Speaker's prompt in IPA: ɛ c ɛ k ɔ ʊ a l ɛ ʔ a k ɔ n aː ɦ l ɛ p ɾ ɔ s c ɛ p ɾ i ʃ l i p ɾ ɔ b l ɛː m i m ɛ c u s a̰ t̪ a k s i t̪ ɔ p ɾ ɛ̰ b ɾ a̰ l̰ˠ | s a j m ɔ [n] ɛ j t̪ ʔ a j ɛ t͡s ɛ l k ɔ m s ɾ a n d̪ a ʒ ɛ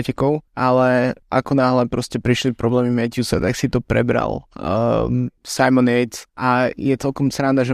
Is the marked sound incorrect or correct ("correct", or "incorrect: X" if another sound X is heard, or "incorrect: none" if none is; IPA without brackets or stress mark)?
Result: correct